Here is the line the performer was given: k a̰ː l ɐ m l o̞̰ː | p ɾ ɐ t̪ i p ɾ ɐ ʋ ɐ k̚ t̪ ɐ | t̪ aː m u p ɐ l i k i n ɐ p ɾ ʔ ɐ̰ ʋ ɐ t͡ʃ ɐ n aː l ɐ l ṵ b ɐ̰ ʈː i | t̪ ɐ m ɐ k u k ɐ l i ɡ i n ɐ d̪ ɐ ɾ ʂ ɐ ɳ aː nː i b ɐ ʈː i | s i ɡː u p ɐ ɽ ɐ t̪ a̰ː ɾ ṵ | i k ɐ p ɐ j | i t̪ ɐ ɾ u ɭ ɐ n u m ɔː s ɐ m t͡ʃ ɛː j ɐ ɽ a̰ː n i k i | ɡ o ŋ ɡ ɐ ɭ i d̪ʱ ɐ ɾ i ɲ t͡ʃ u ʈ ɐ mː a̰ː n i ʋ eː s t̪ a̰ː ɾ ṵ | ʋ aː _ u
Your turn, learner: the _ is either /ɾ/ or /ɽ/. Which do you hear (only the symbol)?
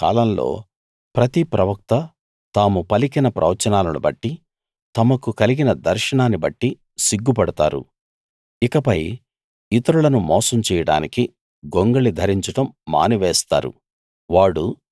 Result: ɽ